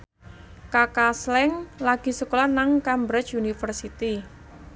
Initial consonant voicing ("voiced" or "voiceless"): voiceless